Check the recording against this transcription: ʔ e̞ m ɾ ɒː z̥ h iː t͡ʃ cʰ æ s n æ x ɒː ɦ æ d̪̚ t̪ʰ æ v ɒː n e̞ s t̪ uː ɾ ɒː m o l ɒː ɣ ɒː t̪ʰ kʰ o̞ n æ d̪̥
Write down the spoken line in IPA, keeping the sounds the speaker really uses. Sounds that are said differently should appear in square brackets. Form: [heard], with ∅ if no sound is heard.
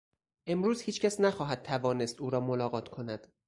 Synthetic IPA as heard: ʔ e̞ m ɾ [uː] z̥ h iː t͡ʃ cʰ æ s n æ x ɒː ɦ æ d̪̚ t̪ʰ æ v ɒː n e̞ s t̪ uː ɾ ɒː m o l ɒː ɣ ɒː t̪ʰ kʰ o̞ n æ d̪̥